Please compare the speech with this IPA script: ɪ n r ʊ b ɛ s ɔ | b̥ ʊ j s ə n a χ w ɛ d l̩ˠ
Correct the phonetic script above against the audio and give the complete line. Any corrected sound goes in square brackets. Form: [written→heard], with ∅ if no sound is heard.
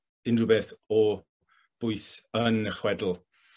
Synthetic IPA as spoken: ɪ n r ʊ b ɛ [s→θ] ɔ | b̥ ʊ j s ə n [a→ə] χ w ɛ d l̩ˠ